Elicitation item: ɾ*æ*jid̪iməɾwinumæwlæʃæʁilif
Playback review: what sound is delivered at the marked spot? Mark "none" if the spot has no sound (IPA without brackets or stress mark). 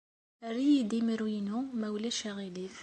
i